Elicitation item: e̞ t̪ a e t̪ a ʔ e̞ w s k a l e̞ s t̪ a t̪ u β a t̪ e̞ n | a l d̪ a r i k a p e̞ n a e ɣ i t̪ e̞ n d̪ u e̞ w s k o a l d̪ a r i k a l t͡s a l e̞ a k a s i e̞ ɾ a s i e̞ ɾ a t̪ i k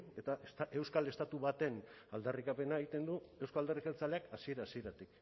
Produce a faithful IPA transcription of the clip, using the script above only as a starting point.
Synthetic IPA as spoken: e̞ t̪ a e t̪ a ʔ e̞ w s k a l e̞ s t̪ a t̪ u β a t̪ e̞ n | a l d̪ a r i k a p e̞ n a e ɣ i t̪ e̞ n d̪ u e̞ w s k o a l d̪ a r i k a l t͡s a l e̞ a k a s i e̞ ɾ a s i e̞ ɾ a t̪ i k